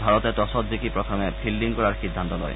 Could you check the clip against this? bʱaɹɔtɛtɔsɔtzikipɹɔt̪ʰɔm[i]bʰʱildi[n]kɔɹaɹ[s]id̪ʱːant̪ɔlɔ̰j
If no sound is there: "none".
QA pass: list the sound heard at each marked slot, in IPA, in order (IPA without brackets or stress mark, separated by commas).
ɛ, ŋ, x